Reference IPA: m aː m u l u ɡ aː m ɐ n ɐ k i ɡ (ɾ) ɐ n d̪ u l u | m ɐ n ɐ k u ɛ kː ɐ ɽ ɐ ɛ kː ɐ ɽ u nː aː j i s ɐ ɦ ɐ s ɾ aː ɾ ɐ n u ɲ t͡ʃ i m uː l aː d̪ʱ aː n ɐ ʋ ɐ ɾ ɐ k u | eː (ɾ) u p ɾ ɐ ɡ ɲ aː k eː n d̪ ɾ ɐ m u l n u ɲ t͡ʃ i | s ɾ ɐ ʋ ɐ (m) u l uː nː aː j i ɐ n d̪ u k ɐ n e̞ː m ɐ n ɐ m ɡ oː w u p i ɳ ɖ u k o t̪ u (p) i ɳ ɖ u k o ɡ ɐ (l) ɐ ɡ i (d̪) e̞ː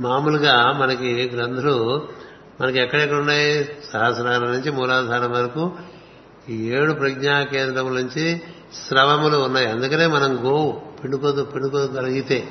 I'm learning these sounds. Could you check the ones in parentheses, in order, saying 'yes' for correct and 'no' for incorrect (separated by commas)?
yes, no, yes, yes, yes, no